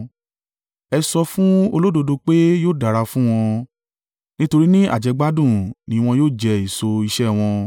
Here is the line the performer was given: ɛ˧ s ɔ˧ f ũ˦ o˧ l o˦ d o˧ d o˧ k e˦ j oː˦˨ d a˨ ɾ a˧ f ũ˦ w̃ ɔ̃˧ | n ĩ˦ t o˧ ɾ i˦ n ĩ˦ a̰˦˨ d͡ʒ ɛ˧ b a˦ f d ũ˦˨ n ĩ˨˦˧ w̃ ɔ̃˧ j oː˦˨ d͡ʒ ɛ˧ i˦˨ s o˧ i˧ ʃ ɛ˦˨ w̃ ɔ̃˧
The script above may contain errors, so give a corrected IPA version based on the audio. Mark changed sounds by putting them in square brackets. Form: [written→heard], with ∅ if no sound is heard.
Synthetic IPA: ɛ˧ s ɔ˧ f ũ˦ o˧ l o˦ d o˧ d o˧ [k→k͡p] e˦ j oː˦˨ d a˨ ɾ a˧ f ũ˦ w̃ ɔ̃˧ | n ĩ˦ t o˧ ɾ i˦ n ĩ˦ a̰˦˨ d͡ʒ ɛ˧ [b→ɡ͡b] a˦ [f→∅] d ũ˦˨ n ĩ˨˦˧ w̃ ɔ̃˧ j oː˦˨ d͡ʒ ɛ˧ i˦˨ s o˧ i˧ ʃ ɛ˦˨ w̃ ɔ̃˧

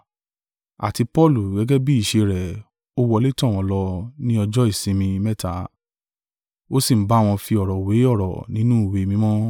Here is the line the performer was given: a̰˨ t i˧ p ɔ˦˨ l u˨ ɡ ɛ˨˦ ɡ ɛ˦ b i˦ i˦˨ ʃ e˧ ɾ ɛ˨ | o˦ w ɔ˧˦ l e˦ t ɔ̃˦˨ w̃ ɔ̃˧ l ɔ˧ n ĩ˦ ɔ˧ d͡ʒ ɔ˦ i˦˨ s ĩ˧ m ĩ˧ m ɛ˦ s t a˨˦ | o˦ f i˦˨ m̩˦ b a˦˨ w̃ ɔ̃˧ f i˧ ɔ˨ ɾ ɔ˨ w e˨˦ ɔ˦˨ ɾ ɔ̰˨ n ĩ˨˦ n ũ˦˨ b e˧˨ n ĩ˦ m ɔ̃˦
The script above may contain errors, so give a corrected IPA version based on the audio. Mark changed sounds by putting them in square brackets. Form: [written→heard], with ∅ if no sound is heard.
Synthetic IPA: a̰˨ t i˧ p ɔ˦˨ l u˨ ɡ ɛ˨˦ ɡ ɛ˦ b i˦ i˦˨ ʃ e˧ ɾ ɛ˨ | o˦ w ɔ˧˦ l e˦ t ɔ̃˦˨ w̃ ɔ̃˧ l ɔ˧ n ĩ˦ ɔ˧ d͡ʒ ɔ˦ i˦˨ s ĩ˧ m ĩ˧ m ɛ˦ [s→∅] t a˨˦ | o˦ [f→s] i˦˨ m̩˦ b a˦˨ w̃ ɔ̃˧ f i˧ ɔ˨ ɾ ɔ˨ w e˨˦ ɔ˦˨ ɾ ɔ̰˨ n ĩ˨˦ n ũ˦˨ [b→w] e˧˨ [n→m] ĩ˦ m ɔ̃˦

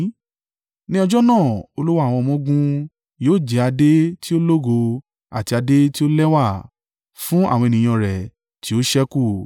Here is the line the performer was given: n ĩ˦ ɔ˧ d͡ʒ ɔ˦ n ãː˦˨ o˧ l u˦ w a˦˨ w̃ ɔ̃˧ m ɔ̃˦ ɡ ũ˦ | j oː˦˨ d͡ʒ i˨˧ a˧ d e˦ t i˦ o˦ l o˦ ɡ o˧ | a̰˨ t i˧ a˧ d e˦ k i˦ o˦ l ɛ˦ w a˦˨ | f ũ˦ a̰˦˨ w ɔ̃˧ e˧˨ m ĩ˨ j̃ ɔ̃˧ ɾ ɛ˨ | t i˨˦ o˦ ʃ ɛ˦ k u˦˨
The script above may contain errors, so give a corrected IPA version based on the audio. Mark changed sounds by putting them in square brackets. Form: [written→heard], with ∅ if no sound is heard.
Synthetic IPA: n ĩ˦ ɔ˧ d͡ʒ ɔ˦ n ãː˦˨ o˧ l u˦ w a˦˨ w̃ ɔ̃˧ m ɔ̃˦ ɡ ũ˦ | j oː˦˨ d͡ʒ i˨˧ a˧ d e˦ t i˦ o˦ l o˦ ɡ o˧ | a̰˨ t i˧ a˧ d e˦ [k→t] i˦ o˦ l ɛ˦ w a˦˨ | f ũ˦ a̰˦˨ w ɔ̃˧ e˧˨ [m→n] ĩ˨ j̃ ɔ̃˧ ɾ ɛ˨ | t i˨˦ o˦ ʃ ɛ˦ k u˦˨

